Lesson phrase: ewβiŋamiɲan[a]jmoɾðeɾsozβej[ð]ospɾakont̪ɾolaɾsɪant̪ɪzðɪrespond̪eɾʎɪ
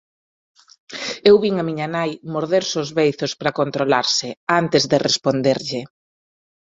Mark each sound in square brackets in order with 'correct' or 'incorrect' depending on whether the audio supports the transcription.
correct, incorrect: θ

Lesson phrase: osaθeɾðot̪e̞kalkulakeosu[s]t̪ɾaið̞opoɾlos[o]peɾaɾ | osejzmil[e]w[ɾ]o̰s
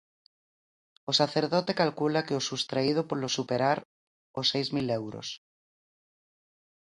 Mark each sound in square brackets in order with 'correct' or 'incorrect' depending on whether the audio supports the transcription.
correct, incorrect: u, correct, correct

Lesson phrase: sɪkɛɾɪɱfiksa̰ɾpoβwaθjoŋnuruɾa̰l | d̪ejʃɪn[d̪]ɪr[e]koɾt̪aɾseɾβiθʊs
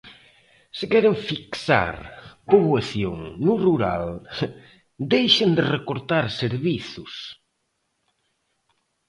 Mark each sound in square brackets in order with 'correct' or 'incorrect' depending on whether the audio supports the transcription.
correct, correct

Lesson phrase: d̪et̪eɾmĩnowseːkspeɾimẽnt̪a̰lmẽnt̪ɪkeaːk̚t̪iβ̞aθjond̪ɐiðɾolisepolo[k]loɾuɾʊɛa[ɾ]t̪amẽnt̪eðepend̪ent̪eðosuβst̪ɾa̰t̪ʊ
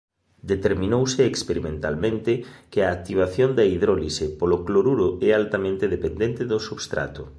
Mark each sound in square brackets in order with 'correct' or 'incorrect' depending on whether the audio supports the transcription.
correct, incorrect: l

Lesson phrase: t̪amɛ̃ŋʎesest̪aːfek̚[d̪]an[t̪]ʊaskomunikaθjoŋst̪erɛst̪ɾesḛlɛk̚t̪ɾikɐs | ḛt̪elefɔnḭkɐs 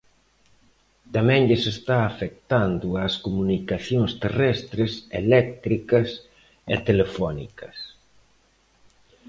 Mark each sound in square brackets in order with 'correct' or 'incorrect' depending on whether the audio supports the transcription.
incorrect: t̪, incorrect: d̪

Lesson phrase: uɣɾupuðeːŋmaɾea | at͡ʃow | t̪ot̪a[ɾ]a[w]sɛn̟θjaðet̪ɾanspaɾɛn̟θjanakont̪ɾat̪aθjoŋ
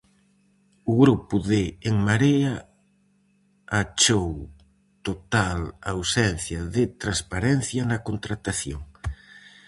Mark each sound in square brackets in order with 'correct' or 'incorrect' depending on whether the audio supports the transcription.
incorrect: l, correct

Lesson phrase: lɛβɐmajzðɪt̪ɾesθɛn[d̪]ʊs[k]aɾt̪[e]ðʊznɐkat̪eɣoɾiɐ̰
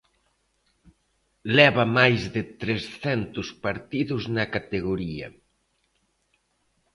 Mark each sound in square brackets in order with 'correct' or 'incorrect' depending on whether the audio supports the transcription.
incorrect: t̪, incorrect: p, incorrect: i

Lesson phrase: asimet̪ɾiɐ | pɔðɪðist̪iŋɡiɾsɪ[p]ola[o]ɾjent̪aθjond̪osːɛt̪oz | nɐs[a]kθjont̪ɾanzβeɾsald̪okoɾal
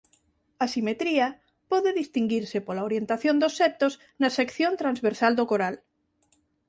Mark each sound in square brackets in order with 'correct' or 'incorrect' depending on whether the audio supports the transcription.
correct, correct, incorrect: e

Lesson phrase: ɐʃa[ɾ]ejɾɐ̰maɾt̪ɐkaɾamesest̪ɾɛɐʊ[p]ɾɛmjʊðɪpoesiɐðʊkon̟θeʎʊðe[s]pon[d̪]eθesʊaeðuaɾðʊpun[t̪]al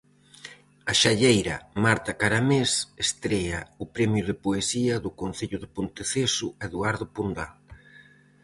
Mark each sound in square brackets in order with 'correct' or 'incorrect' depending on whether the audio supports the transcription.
incorrect: ʎ, correct, incorrect: none, incorrect: t̪, incorrect: d̪

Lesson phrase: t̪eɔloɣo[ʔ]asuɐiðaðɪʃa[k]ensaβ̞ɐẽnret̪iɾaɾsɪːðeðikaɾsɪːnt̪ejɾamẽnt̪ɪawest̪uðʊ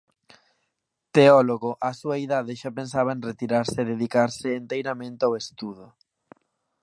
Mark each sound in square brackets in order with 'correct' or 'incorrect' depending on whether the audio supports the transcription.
correct, incorrect: p

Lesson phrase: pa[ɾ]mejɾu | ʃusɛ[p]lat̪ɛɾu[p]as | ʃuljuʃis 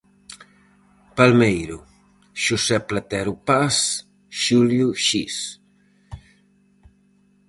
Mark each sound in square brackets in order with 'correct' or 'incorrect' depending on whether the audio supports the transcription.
incorrect: l, correct, correct

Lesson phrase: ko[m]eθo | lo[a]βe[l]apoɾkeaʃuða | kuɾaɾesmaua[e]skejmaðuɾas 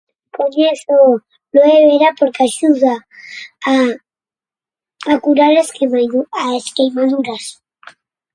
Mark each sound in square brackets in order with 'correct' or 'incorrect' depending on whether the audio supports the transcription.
incorrect: ɲ, incorrect: e, incorrect: ɾ, correct

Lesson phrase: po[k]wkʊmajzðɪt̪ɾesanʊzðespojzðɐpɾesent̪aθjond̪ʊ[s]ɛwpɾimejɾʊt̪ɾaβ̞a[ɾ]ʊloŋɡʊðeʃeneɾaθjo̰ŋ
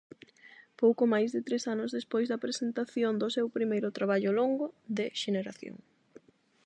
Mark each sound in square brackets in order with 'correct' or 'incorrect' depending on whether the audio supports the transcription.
incorrect: none, correct, incorrect: ʎ

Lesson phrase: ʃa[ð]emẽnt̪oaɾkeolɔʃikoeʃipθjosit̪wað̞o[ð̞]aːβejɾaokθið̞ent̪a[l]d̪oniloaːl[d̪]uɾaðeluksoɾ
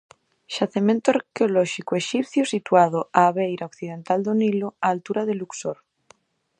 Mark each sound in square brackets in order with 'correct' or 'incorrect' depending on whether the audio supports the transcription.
incorrect: θ, incorrect: none, correct, incorrect: t̪

